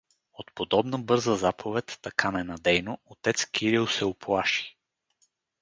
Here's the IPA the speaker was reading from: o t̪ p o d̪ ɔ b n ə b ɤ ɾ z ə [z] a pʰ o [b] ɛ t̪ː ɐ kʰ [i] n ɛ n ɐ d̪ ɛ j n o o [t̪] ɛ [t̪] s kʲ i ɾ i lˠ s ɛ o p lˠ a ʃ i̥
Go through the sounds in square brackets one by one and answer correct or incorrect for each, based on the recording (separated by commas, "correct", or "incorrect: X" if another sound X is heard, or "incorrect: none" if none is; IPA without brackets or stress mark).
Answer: correct, incorrect: v, incorrect: a, correct, correct